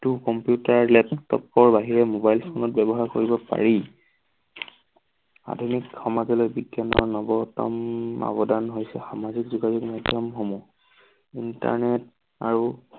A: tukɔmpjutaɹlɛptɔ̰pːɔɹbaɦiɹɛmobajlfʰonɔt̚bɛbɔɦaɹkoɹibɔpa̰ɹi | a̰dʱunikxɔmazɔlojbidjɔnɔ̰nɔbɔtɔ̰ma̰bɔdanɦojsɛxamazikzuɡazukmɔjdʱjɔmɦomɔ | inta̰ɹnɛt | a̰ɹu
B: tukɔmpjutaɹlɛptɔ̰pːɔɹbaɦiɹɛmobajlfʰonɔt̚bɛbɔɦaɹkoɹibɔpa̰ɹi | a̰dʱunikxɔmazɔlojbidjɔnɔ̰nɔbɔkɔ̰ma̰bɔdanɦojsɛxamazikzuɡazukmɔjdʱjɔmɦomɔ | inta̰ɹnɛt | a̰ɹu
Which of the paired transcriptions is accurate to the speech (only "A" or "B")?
A